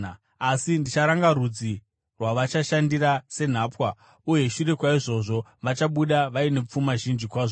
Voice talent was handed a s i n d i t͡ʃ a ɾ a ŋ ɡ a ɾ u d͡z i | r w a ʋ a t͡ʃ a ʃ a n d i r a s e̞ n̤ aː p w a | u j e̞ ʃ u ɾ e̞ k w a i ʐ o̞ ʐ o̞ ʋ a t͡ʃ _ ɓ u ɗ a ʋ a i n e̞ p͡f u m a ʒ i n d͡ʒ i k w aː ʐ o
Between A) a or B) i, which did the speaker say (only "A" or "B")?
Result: A